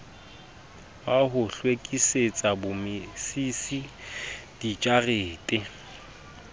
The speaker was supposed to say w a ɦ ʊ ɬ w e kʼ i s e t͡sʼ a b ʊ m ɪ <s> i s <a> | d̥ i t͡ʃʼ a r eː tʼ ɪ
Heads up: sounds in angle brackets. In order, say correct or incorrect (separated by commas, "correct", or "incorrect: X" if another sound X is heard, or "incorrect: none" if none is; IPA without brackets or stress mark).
correct, incorrect: i